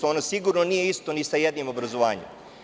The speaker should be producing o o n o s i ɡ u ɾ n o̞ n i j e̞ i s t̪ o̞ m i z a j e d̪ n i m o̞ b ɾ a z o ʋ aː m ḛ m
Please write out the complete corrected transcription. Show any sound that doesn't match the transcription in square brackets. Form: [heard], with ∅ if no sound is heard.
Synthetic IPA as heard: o o n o s i ɡ u ɾ n o̞ n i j e̞ i s t̪ o̞ [n] i [s] a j e d̪ n i m o̞ b ɾ a z o ʋ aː [ɲ] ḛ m